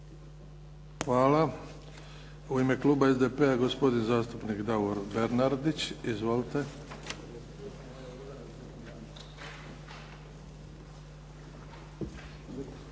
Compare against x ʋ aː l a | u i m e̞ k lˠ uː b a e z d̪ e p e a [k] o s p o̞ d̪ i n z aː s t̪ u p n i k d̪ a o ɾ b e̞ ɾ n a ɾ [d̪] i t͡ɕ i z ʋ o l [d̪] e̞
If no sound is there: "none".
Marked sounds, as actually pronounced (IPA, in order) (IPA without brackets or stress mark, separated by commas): ɡ, d̪, t̪